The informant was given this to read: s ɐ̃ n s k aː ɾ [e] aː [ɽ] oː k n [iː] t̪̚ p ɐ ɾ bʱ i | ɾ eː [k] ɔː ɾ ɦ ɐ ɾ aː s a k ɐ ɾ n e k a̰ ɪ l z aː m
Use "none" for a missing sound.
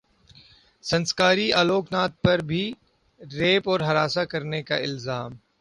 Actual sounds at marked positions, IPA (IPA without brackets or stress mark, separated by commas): i, l, aː, p